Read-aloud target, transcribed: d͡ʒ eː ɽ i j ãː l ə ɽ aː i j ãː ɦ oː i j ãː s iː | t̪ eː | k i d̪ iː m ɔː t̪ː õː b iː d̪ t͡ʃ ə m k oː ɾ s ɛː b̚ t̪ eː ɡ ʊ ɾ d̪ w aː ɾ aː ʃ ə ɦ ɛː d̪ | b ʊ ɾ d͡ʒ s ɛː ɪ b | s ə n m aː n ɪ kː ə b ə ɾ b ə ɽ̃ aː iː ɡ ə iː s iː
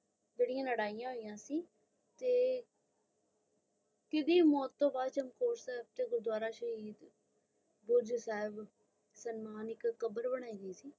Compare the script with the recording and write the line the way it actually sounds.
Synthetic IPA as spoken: d͡ʒ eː ɽ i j ãː l ə ɽ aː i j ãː ɦ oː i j ãː s iː | t̪ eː | k ɪ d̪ iː m ɔː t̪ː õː b aː d̪ t͡ʃ ə m k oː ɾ s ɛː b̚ t̪ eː ɡ ʊ ɾ d̪ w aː ɾ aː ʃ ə ɦ iː d̪ | b ʊ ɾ d͡ʒ s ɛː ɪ b | s ə n m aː n ɪ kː ə b ə ɾ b ə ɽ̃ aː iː ɡ ə iː s iː

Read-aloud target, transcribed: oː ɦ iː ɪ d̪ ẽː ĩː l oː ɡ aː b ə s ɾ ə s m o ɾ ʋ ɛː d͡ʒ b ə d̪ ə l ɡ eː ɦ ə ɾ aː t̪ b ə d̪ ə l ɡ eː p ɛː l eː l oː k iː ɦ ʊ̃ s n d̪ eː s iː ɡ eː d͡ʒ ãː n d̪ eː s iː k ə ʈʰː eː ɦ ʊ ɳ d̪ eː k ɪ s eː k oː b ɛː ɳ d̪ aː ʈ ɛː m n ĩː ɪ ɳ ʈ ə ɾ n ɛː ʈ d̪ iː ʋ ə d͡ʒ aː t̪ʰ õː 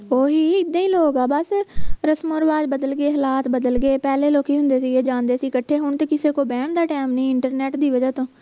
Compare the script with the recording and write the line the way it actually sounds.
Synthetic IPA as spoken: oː ɦ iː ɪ d̪ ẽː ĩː l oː ɡ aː b ə s ɾ ə s m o ɾ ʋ aː d͡ʒ b ə d̪ ə l ɡ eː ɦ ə l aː t̪ b ə d̪ ə l ɡ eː p ɛː l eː l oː k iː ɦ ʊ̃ n d̪ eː s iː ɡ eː d͡ʒ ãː n d̪ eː s iː k ə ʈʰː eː ɦ ʊ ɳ t̪ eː k ɪ s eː k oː b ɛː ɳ d̪ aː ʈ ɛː m n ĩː ɪ ɳ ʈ ə ɾ n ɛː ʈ d̪ iː ʋ ə d͡ʒ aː t̪ õː

